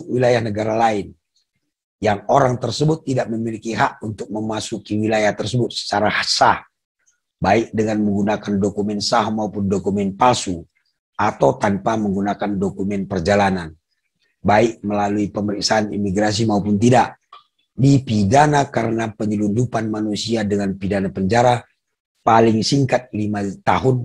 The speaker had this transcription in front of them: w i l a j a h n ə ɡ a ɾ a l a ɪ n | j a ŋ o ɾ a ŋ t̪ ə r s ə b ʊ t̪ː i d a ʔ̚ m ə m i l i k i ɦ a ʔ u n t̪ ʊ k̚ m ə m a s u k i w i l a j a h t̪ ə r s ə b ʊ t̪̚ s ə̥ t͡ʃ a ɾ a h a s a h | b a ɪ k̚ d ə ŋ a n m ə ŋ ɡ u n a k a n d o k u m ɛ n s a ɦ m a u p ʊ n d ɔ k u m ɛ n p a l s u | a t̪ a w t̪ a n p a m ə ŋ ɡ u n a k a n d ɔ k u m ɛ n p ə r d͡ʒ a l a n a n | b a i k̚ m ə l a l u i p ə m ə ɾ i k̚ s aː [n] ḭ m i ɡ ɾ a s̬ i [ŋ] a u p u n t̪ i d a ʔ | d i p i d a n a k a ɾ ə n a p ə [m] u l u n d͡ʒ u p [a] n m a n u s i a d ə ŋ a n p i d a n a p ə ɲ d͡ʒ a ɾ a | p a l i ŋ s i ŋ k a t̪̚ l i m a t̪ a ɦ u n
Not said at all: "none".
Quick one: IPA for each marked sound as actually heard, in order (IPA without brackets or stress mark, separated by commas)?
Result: n, m, ɲ, a